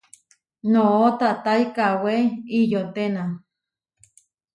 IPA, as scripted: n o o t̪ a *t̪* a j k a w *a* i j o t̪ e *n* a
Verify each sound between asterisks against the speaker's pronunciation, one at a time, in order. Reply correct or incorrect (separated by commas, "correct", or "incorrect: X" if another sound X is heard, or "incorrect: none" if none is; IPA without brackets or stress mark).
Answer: correct, incorrect: e, correct